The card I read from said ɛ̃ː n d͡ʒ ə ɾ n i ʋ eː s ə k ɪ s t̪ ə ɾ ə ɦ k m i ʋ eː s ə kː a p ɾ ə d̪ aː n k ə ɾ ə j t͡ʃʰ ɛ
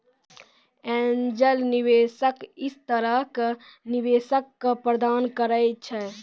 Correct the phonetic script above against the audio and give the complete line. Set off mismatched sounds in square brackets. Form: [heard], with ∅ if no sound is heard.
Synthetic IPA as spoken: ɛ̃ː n d͡ʒ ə [l] n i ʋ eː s ə k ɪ s t̪ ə ɾ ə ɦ k [n] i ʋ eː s ə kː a p ɾ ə d̪ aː n k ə ɾ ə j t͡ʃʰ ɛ